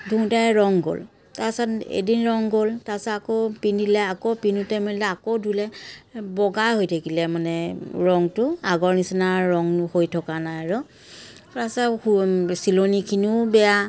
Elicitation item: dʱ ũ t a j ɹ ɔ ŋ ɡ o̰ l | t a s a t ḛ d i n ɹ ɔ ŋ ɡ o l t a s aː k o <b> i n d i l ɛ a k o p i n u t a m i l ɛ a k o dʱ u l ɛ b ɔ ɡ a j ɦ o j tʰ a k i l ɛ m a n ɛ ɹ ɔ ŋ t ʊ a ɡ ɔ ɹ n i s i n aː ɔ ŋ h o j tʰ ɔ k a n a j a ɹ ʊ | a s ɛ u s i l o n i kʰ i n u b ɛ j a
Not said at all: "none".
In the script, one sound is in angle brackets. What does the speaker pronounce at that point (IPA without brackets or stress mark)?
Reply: p